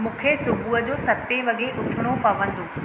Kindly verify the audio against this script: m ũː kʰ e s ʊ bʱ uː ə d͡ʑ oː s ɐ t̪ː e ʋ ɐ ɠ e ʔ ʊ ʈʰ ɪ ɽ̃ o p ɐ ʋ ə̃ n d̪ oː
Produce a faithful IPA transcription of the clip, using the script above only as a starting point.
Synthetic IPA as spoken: m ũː kʰ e s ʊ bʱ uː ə d͡ʑ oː s ɐ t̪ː e ʋ ɐ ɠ e ʔ ʊ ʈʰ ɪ ɽ̃ o p ɐ ʋ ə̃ n d̪ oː